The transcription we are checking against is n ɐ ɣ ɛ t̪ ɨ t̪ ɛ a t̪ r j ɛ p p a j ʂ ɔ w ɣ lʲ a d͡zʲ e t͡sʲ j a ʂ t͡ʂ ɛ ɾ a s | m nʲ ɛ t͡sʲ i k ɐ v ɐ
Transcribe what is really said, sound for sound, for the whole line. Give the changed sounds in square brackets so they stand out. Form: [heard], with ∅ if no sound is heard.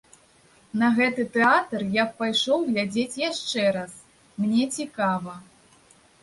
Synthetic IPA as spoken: n ɐ ɣ ɛ t̪ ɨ t̪ ɛ a t̪ r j [a] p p a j ʂ ɔ w ɣ lʲ a d͡zʲ e t͡sʲ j a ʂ t͡ʂ ɛ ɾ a s | m nʲ ɛ t͡sʲ i k [a] v ɐ